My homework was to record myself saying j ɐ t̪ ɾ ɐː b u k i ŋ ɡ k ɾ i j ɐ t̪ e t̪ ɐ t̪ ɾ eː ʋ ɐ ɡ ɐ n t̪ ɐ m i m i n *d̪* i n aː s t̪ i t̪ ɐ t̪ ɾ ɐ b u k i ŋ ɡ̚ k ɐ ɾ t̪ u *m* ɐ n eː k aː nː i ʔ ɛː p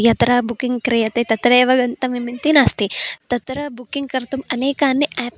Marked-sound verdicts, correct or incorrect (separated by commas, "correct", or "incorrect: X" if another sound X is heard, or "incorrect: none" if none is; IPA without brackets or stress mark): incorrect: t̪, correct